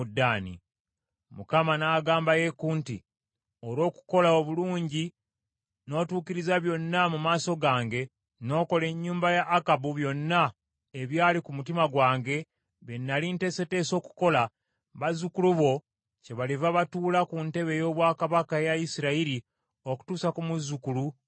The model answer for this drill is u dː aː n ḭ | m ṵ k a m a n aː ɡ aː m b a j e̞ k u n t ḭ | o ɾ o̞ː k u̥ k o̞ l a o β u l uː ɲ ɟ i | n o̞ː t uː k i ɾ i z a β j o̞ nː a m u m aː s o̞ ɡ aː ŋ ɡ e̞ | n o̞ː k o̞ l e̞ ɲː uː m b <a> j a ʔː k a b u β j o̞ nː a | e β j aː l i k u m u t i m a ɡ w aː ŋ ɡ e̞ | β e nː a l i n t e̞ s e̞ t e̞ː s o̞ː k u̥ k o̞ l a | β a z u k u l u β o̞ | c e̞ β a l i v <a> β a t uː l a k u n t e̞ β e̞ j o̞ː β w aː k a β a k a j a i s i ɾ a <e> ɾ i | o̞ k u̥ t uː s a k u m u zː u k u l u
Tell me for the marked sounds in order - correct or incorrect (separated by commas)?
correct, correct, incorrect